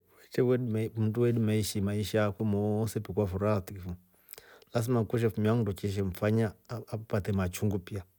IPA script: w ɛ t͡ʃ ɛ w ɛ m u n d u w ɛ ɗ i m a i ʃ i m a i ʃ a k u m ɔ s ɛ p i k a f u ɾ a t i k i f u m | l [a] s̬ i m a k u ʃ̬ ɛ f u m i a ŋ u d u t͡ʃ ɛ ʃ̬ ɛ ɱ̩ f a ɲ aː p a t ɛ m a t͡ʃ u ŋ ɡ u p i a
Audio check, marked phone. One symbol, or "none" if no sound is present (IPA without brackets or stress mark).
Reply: a